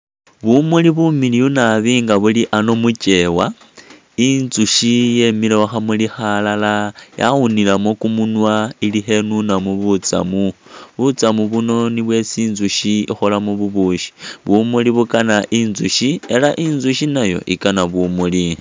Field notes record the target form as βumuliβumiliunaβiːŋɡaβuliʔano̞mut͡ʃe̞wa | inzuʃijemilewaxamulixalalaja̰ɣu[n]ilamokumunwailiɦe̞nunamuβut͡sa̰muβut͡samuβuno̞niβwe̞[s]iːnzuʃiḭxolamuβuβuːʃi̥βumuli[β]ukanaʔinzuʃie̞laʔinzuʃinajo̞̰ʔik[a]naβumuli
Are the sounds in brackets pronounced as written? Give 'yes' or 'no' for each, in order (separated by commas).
yes, yes, yes, yes